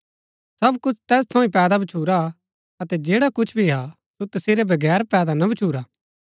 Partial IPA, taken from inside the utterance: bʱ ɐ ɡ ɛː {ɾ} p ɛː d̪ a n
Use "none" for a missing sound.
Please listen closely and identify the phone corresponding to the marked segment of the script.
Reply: ɾ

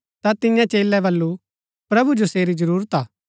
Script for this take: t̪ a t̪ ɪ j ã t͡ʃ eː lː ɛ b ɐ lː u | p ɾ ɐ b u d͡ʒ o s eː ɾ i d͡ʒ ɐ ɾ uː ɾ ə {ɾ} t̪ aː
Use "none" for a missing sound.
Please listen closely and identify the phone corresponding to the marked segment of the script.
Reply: none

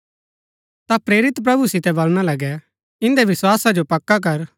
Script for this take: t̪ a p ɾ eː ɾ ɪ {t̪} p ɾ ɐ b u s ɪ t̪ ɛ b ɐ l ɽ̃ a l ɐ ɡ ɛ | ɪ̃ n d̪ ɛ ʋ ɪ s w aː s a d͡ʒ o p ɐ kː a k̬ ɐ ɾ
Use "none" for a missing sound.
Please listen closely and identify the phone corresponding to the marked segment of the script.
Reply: t̪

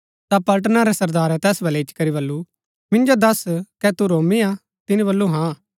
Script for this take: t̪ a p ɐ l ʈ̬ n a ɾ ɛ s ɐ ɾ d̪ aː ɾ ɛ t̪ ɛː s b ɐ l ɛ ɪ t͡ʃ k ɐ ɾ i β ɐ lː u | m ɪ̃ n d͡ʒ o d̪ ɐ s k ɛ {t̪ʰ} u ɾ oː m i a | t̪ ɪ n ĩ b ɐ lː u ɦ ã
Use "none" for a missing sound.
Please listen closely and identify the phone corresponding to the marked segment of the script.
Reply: t̪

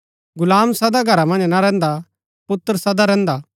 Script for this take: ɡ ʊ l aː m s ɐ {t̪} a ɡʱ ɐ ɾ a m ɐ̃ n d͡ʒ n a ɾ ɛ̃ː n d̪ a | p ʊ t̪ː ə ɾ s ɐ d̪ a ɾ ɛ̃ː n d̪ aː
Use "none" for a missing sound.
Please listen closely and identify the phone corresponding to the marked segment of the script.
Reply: d̪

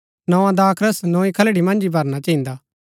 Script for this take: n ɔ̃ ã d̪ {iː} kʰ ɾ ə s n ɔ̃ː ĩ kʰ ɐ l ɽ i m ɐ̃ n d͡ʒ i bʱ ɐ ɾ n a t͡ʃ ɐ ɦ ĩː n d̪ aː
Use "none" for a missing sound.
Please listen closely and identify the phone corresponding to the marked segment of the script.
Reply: aː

